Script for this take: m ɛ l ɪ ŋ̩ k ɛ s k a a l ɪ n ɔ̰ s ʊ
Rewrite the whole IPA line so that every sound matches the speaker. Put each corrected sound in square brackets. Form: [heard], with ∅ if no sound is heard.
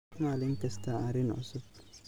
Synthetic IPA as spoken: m [a] l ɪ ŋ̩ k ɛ s [t] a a [ɾ] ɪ n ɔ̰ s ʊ

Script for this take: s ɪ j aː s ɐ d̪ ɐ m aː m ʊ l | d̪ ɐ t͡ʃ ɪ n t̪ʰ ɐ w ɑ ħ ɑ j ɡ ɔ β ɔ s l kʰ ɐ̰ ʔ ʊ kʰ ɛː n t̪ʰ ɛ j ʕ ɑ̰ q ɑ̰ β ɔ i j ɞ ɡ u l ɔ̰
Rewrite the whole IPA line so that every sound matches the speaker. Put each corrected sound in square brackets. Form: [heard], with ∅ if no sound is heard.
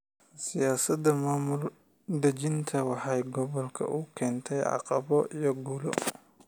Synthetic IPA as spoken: s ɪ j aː s ɐ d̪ ɐ m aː m ʊ l | d̪ ɐ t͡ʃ ɪ n t̪ʰ ɐ w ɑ ħ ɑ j ɡ ɔ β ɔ [∅] l kʰ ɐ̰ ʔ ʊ kʰ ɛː n t̪ʰ ɛ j ʕ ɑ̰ q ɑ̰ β ɔ i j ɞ ɡ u l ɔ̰

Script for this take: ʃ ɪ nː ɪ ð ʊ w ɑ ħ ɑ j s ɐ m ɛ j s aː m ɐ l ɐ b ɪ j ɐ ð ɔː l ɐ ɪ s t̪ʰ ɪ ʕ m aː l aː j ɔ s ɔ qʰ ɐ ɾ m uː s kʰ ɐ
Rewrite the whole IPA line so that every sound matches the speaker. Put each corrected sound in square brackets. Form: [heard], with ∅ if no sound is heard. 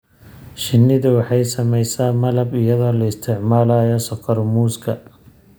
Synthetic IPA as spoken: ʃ ɪ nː ɪ ð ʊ w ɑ ħ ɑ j s ɐ m ɛ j s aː m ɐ l ɐ b ɪ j ɐ ð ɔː l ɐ ɪ s t̪ʰ ɪ ʕ m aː l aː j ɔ s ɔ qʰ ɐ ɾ m uː s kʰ ɐ

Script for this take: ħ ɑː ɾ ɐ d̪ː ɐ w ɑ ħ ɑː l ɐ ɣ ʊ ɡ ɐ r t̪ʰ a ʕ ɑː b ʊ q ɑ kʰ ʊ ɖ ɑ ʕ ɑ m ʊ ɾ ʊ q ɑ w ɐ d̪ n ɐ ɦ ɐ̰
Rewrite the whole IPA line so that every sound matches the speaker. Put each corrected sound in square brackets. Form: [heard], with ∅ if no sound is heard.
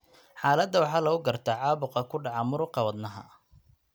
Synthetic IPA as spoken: ħ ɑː [l] ɐ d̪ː ɐ w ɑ ħ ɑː l ɐ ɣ ʊ ɡ ɐ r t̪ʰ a ʕ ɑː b ʊ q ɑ kʰ ʊ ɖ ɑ ʕ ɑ m ʊ ɾ ʊ q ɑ w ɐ d̪ n ɐ ɦ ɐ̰

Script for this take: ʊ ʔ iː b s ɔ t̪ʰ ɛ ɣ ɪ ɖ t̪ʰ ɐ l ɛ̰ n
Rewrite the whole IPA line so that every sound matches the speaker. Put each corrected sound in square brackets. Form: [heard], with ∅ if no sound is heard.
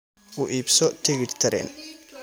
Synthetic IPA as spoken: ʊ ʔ iː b s ɔ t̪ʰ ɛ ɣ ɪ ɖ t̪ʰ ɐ [ɾ] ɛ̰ n

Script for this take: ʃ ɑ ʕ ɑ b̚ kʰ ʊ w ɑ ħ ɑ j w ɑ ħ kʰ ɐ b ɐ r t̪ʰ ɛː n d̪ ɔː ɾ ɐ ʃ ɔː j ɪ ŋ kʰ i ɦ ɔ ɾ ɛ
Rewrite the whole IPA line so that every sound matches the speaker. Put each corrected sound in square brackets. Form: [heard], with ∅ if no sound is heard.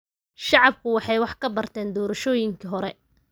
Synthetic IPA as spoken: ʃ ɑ ʕ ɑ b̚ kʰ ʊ w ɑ ħ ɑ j w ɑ ħ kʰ ɐ b ɐ r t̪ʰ ɛː n d̪ ɔː ɾ ɐ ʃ ɔː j ɪ ŋ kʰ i ɦ ɔ ɾ ɛ

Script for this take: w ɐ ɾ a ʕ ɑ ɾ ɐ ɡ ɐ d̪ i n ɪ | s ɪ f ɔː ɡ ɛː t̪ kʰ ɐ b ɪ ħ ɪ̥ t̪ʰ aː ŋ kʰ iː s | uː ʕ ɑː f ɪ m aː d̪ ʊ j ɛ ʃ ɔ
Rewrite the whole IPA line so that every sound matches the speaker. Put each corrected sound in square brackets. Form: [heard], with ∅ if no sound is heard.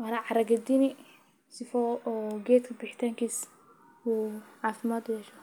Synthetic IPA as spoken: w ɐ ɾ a ʕ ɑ ɾ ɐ ɡ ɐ d̪ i n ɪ | s ɪ f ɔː ɡ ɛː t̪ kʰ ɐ b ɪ ħ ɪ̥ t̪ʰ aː ŋ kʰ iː s | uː ʕ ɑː f ɪ m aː d̪ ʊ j ɛ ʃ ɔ

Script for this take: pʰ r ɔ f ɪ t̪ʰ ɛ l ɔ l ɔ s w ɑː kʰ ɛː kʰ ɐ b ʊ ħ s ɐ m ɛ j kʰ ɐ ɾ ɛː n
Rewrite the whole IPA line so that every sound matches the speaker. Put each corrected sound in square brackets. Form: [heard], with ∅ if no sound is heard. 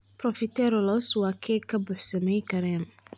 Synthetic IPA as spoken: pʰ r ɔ f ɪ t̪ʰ ɛ [ɾ] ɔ l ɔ s w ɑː kʰ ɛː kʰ ɐ b ʊ ħ s ɐ m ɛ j kʰ ɐ ɾ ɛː n

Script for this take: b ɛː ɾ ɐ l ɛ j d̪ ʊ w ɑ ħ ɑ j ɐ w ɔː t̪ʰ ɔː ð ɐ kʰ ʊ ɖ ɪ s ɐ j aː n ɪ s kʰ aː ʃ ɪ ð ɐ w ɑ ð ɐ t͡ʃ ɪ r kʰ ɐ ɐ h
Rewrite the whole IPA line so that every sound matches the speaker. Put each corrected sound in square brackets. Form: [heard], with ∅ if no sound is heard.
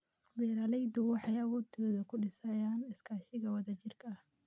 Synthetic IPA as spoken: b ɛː ɾ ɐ l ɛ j d̪ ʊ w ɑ ħ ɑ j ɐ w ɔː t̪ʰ ɔː ð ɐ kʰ ʊ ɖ ɪ s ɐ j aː n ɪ s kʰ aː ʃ ɪ [ɣ] ɐ w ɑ ð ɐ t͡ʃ ɪ r kʰ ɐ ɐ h

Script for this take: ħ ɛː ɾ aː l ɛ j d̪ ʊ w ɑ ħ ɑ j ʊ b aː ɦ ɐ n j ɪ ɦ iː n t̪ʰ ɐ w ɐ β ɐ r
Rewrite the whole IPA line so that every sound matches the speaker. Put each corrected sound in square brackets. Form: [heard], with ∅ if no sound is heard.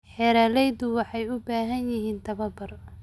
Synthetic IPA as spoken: ħ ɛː ɾ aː l ɛ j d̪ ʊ w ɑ ħ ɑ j ʊ b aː ɦ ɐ n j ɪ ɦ iː n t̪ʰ ɐ [β] ɐ [b] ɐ r

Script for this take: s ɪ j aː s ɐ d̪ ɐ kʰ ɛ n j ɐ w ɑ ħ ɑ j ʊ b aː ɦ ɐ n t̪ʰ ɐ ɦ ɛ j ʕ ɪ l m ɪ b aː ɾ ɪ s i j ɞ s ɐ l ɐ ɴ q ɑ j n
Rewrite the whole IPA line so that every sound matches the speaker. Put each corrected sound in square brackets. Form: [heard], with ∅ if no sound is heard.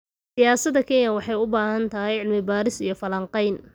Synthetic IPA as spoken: s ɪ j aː s ɐ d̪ ɐ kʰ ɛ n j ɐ w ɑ ħ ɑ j ʊ b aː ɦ ɐ n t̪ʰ ɐ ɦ ɛ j ʕ ɪ l m ɪ b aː ɾ ɪ s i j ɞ [f] ɐ l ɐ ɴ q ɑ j n

